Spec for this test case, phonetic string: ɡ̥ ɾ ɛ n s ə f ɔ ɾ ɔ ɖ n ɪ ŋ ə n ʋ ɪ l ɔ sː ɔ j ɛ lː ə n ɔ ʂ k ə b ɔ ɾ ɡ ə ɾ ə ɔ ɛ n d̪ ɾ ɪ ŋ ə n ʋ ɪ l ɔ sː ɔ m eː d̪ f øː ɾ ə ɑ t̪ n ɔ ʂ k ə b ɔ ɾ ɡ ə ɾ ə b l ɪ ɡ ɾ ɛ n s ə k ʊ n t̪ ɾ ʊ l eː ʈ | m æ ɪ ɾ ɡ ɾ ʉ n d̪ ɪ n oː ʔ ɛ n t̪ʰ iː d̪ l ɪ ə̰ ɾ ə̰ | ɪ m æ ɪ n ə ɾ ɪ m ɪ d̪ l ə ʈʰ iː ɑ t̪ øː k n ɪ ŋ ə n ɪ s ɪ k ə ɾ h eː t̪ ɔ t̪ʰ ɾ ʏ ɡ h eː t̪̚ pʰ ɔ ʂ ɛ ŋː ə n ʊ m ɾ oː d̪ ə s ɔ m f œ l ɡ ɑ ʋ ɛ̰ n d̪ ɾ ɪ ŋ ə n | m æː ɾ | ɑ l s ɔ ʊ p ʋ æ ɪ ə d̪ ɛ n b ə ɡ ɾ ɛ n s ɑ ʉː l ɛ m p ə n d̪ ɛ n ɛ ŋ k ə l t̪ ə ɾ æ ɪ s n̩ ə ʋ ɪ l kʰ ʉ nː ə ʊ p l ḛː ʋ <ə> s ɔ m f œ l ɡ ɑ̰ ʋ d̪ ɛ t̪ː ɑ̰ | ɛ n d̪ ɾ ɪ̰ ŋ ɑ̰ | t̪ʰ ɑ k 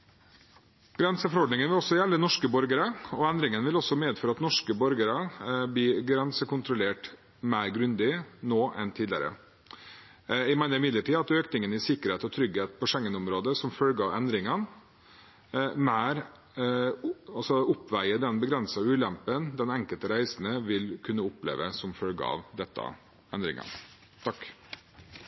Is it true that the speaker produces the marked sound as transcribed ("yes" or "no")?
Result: yes